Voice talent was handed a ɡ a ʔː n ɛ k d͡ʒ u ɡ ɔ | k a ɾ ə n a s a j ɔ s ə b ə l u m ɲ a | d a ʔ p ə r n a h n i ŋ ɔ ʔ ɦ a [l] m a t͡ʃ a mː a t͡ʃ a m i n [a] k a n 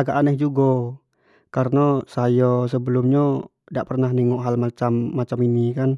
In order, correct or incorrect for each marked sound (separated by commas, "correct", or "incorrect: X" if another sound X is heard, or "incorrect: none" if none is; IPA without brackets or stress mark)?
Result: correct, incorrect: i